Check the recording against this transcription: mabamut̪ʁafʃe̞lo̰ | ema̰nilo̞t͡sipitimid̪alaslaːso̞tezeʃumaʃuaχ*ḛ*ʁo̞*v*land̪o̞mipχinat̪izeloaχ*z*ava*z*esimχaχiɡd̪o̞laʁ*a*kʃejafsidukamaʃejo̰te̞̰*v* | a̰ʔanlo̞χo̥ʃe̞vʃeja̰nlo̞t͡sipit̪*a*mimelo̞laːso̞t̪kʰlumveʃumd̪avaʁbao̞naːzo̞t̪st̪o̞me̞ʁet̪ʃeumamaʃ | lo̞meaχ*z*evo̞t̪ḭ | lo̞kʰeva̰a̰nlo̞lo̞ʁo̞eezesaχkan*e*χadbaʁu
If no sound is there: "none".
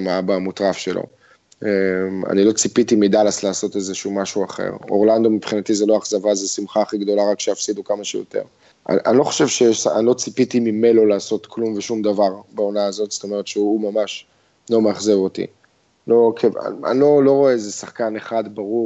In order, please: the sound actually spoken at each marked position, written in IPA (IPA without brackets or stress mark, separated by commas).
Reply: ḛ, ʁ, z, z, a, ʁ, i, z, e